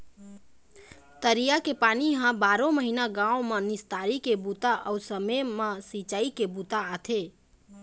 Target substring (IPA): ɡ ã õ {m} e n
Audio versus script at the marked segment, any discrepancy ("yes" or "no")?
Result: no